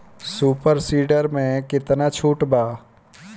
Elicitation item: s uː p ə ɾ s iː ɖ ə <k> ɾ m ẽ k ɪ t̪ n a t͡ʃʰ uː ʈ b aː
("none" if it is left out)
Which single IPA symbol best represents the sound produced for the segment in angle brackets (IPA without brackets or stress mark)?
none